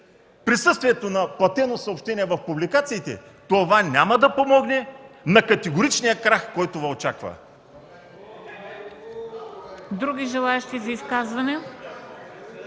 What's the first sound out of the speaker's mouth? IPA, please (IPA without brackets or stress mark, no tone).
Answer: p